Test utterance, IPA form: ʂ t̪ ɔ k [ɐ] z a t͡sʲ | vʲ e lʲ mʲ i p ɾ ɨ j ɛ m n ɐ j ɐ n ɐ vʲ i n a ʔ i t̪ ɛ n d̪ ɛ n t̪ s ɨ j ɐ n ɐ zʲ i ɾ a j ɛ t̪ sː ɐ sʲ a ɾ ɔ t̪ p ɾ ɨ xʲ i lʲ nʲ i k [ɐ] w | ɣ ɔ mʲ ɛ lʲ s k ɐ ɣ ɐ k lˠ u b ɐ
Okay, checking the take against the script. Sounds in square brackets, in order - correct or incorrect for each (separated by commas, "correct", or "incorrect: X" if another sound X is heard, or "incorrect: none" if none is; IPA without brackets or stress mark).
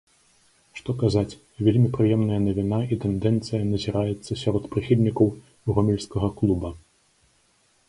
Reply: incorrect: a, correct